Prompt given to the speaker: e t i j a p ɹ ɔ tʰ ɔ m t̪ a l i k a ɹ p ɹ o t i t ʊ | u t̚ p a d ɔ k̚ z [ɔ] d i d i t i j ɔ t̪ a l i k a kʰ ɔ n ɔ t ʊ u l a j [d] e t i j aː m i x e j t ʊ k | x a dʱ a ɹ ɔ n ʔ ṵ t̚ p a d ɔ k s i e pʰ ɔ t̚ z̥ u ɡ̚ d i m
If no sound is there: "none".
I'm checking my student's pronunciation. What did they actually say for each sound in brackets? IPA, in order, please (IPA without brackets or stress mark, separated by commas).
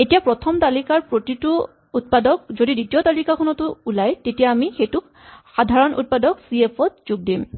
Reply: o, t